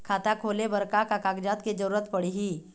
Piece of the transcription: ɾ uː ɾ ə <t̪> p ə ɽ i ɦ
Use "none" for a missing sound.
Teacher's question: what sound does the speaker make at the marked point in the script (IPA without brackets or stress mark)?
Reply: t̪